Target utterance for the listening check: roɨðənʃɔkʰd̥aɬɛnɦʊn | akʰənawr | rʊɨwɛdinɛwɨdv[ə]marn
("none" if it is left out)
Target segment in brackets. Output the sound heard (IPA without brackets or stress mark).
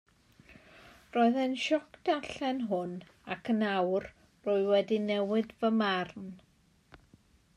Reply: ə